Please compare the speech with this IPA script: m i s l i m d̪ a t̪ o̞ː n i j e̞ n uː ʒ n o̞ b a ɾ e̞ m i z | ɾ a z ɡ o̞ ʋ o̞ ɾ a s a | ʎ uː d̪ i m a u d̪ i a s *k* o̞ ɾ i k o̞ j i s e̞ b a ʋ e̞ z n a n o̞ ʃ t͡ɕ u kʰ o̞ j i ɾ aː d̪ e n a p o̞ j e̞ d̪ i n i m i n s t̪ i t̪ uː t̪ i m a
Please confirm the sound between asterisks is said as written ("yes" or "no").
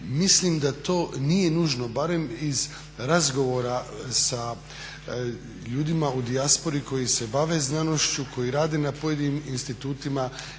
no